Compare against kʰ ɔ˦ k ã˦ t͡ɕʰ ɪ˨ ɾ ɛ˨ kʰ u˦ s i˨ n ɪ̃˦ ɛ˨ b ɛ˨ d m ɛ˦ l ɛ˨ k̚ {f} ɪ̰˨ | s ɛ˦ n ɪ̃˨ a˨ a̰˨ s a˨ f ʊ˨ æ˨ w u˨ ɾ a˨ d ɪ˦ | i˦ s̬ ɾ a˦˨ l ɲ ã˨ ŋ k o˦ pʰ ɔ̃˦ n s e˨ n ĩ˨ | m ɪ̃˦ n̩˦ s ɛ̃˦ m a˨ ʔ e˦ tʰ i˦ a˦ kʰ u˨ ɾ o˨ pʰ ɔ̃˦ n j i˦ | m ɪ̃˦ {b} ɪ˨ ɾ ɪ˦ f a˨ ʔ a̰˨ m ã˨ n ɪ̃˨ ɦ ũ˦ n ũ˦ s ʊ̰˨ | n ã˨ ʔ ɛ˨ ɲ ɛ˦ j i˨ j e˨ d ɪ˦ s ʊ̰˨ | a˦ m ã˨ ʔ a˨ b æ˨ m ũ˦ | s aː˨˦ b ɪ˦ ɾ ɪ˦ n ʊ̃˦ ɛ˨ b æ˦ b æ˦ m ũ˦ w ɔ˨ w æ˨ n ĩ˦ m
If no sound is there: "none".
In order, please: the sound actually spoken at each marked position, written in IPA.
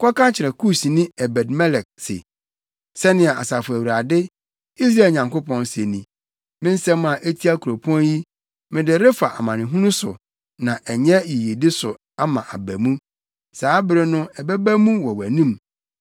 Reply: s, d

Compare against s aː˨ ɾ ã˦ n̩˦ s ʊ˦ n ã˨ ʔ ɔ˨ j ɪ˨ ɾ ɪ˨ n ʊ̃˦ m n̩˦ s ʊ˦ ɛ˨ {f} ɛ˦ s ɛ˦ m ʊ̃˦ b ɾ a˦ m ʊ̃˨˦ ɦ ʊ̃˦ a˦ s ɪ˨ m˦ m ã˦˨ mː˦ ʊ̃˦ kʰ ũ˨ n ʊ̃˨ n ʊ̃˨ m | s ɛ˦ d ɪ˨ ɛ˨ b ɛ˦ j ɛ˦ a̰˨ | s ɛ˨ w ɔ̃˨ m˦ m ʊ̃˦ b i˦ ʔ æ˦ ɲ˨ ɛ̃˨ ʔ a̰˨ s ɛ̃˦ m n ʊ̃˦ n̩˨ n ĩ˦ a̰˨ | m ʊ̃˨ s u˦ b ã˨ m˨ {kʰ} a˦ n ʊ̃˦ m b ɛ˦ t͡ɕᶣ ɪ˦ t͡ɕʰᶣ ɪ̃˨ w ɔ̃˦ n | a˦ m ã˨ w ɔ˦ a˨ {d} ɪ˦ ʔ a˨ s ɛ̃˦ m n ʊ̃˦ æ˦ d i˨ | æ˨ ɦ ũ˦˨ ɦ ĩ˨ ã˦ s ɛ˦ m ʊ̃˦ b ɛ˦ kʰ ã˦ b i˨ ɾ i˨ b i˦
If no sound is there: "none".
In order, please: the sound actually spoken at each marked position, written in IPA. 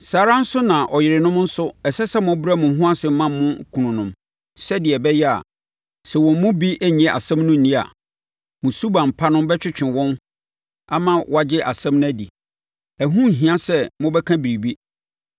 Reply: s, pʰ, d͡ʑ

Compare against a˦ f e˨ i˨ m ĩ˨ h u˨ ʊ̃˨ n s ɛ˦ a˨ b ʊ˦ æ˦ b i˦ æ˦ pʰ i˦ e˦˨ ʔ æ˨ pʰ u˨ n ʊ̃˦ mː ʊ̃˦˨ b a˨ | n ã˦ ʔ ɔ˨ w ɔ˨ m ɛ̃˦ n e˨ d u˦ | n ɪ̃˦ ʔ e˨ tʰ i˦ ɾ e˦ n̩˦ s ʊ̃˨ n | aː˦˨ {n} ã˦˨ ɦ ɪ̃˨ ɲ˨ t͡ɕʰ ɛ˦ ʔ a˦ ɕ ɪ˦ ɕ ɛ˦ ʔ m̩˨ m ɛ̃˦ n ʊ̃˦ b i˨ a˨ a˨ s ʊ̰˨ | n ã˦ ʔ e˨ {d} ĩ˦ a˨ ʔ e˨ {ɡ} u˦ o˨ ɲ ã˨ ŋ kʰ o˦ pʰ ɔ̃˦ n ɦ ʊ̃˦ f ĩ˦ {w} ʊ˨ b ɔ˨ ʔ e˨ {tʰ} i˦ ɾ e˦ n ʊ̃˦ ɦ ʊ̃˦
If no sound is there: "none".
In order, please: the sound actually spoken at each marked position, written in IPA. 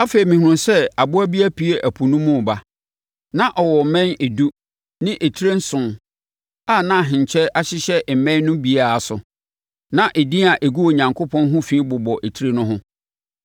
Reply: n, d, ɡ, b, tʰ

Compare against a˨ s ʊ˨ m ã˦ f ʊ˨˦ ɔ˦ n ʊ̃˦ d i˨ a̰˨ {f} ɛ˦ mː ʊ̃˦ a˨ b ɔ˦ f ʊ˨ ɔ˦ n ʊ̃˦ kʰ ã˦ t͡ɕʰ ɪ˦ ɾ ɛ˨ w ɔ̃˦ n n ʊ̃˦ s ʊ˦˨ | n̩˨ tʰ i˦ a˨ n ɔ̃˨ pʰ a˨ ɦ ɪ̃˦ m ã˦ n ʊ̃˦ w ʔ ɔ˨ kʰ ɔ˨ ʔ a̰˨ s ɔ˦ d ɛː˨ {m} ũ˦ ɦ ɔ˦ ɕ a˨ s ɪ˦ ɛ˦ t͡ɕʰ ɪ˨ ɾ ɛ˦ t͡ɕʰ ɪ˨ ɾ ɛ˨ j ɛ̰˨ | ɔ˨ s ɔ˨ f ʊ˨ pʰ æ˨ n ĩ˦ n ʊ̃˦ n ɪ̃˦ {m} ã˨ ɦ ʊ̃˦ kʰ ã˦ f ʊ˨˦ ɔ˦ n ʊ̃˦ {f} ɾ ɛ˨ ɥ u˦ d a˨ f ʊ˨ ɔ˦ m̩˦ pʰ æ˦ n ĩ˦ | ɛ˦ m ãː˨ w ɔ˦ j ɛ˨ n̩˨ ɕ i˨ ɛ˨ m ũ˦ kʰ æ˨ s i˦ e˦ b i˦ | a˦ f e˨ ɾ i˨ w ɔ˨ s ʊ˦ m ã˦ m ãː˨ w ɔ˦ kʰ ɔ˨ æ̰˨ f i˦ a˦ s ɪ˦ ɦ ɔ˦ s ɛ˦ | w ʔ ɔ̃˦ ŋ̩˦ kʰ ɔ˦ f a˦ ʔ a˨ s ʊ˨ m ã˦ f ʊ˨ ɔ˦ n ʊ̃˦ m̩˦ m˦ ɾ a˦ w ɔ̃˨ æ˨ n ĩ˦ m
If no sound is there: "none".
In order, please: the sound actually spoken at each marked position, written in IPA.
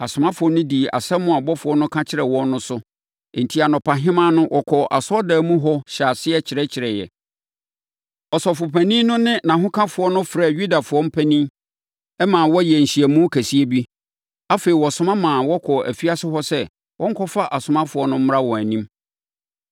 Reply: s, m, n, f

